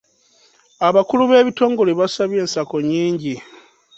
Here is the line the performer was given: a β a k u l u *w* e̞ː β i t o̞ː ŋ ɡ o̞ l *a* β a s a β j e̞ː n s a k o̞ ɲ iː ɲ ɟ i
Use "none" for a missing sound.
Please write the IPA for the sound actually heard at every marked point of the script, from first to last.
β, e

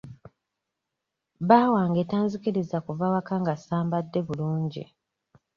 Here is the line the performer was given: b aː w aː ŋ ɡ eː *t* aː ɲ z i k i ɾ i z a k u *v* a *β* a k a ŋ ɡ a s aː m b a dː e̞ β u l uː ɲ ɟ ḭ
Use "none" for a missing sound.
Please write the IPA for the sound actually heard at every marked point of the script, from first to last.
t, v, w

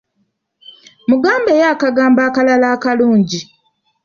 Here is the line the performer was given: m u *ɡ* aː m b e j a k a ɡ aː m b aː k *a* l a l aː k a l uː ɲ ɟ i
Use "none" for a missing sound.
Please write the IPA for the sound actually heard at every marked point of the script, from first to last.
ɡ, a

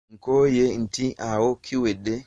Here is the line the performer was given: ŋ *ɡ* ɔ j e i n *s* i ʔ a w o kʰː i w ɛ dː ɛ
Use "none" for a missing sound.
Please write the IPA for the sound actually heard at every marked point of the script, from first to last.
k, t

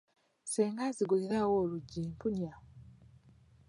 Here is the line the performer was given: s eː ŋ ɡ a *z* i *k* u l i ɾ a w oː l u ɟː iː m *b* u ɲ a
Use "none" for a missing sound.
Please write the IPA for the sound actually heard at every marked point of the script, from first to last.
z, ɡ, p

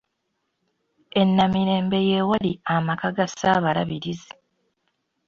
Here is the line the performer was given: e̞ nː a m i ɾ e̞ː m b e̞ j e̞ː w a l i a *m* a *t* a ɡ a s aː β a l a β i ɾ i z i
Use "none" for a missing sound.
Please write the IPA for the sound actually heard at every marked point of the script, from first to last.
m, k

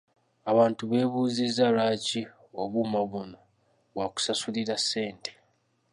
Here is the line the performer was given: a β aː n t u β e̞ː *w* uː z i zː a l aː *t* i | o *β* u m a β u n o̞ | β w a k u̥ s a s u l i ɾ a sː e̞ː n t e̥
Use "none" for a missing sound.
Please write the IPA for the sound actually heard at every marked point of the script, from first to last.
β, c, β

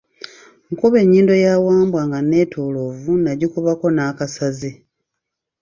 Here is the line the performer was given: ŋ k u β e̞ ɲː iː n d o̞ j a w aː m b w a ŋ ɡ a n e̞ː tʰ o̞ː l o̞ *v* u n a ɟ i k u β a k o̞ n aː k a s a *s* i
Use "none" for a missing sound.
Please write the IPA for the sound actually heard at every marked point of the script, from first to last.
v, z

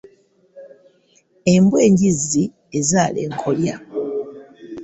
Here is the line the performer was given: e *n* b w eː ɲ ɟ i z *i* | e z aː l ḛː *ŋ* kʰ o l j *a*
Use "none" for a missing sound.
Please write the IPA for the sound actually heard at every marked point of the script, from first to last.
m, i, ŋ, a

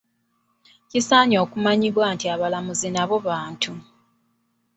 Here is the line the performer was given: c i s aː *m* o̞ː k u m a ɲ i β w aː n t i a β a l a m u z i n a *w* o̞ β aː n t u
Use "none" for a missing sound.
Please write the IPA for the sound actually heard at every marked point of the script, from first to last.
ɲ, β

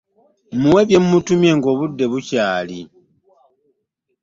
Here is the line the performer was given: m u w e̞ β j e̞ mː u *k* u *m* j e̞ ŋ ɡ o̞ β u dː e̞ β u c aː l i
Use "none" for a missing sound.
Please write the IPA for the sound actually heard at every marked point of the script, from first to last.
t, m

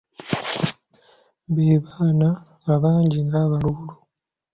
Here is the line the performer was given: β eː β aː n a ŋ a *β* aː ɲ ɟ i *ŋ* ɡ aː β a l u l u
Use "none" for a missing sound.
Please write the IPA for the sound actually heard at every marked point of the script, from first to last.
β, ŋ

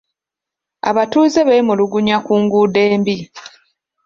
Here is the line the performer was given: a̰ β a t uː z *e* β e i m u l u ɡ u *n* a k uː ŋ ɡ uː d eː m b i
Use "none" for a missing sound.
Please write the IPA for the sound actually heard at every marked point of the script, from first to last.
e, ɲ

